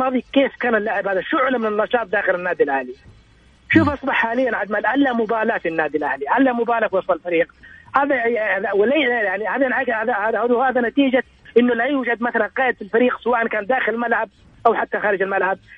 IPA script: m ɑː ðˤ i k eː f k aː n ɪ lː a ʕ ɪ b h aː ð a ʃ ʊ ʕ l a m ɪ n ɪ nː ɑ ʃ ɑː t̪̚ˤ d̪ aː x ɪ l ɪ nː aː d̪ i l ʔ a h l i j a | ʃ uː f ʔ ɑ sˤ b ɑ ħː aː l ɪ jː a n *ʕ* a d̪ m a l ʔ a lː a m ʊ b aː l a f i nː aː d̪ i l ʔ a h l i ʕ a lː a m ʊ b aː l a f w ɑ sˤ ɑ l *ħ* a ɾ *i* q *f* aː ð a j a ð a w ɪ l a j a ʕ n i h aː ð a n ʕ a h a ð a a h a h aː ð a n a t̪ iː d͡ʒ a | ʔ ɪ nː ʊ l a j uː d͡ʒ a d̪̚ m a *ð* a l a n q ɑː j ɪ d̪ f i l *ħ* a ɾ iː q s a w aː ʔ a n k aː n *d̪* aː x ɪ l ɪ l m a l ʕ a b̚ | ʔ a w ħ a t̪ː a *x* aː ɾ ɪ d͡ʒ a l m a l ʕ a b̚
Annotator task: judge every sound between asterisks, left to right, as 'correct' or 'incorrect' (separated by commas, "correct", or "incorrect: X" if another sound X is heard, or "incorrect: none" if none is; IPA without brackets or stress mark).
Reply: correct, incorrect: f, incorrect: iː, incorrect: h, incorrect: θ, incorrect: f, correct, correct